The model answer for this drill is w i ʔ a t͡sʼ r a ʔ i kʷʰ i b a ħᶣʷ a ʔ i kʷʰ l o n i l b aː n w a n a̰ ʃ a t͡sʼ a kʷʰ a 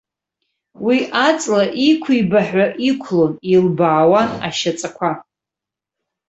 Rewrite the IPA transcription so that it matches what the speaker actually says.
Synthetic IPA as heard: w i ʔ a t͡sʼ l a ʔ i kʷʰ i b a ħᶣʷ a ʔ i kʷʰ l o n i l b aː w a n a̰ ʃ a t͡sʼ a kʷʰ a